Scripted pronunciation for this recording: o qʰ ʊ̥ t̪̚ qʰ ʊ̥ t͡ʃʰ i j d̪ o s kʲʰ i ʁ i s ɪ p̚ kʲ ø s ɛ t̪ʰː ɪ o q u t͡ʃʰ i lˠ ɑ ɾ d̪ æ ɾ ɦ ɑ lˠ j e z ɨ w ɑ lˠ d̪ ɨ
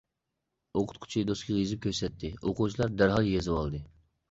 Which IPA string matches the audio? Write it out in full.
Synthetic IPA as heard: o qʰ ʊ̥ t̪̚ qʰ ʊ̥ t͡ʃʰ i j d̪ o s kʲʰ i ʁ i z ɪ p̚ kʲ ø s ɛ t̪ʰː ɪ o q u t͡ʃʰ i lˠ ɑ ɾ d̪ æ ɾ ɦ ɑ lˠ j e z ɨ w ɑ lˠ d̪ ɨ